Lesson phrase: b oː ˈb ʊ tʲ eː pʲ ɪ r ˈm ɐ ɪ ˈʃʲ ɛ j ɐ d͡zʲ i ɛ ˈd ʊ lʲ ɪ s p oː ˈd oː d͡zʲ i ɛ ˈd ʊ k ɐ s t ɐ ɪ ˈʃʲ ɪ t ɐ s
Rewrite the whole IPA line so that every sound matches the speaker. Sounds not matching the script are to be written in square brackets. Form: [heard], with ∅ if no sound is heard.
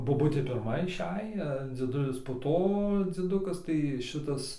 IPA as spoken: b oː ˈb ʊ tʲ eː pʲ ɪ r ˈm ɐ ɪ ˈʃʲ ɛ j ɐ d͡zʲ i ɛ ˈd ʊ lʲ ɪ s p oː [ˈt] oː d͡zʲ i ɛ ˈd ʊ k ɐ s t ɐ ɪ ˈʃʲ ɪ t ɐ s